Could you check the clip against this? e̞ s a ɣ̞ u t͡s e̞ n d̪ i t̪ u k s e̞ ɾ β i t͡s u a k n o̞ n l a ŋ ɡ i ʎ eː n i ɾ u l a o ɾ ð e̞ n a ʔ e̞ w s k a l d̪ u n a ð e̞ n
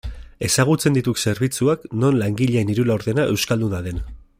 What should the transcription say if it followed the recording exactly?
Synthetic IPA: e̞ s a ɣ̞ u t͡s e̞ n d̪ i t̪ u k s e̞ ɾ β i t͡s u a k n o̞ n l a ŋ ɡ i ʎ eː n i ɾ u l a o ɾ ð e̞ n a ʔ e̞ w s k a l d̪ u n a ð e̞ n